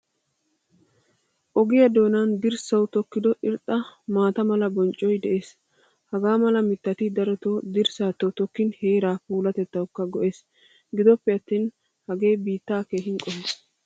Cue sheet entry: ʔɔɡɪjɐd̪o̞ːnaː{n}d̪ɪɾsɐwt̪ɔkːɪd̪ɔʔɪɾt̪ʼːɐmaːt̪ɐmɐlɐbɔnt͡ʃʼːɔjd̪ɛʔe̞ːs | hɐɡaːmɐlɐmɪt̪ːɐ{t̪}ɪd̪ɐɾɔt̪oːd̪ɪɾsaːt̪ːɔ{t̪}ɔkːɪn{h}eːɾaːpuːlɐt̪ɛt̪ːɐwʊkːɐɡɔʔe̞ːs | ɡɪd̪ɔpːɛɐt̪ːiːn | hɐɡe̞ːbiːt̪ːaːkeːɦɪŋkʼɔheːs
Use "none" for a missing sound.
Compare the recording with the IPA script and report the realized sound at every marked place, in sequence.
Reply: n, t̪, t̪, h

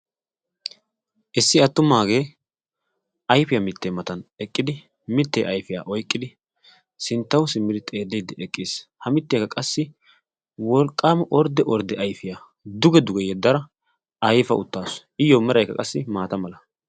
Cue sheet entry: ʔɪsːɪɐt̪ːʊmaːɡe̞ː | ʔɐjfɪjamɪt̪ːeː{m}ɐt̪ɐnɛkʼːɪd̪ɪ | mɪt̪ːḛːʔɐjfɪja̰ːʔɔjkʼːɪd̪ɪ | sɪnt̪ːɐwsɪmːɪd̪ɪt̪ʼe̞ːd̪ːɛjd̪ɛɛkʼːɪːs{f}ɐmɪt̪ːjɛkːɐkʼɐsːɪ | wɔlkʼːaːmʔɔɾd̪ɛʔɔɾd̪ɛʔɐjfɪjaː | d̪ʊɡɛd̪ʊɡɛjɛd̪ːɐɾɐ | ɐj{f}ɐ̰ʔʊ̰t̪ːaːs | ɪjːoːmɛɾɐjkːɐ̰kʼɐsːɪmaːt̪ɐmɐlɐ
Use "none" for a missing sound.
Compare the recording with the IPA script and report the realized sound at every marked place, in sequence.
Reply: m, h, f

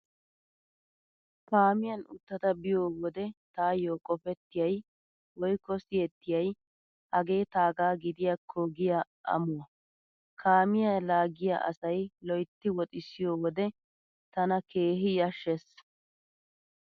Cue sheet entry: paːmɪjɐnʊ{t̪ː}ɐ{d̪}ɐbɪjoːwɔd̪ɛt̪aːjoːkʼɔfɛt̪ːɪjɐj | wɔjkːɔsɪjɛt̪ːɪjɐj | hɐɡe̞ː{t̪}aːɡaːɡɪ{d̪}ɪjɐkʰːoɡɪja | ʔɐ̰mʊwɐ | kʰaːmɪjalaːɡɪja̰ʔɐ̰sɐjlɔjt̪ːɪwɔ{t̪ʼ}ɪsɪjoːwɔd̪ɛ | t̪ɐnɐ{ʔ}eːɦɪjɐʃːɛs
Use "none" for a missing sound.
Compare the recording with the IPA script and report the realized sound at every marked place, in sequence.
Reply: t̪ː, t̪, t̪, d̪, t̪ʼ, k

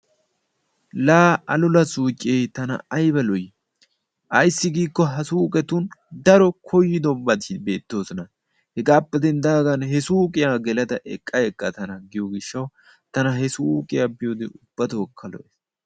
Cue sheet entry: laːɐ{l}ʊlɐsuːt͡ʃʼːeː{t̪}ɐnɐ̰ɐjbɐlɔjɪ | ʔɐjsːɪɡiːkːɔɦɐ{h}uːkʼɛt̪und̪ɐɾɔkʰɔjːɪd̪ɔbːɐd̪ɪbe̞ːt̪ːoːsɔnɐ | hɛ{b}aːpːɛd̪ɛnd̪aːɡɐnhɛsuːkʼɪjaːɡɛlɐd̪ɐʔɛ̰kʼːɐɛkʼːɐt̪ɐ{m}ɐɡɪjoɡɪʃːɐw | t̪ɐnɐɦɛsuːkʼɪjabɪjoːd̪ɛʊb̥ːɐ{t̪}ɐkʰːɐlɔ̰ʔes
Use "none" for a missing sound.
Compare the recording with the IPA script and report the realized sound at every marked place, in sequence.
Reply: l, t̪, s, ɡ, n, t̪

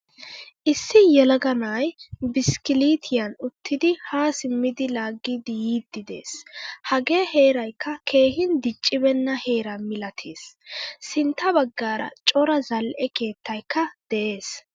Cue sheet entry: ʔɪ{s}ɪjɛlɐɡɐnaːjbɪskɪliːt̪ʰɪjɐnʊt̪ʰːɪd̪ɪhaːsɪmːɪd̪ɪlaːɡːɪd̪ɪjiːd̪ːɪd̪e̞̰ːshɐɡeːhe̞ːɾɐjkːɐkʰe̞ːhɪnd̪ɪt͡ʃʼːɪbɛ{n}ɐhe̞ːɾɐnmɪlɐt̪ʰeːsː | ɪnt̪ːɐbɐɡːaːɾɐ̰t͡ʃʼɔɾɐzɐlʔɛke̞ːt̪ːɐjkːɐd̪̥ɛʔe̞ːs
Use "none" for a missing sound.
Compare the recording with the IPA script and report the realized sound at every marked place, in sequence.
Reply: sː, nː

